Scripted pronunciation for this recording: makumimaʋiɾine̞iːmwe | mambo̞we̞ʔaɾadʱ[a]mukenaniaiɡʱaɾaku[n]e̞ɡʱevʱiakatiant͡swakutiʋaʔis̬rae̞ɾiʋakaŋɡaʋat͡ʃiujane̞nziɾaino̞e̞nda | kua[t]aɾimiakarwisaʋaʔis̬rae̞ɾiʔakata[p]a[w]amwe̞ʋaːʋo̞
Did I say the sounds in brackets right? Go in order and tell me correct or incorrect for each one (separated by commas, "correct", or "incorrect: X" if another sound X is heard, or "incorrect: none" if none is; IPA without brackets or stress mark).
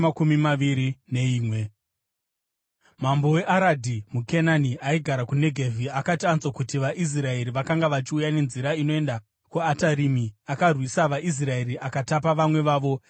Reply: incorrect: i, correct, correct, correct, incorrect: ʋ